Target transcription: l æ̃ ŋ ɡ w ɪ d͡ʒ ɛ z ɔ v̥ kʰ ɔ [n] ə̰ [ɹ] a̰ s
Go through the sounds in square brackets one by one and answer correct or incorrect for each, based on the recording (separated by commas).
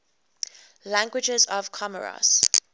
incorrect, correct